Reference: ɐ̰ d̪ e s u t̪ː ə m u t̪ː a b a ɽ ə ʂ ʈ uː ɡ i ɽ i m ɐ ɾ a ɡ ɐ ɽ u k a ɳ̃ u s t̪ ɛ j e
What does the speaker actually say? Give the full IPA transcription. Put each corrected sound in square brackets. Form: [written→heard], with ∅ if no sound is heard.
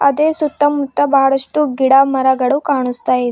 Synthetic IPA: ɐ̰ d̪ e s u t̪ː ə m u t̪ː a b a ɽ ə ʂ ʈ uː ɡ i ɽ [i→a] m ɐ ɾ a ɡ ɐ ɽ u k a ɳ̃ u s t̪ [ɛ→a] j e